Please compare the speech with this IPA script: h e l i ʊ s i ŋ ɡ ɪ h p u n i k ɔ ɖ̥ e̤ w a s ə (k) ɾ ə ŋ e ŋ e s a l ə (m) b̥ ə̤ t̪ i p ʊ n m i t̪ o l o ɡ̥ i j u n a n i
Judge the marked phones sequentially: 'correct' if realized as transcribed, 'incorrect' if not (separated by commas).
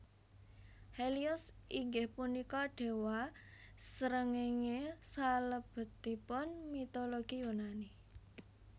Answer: incorrect, incorrect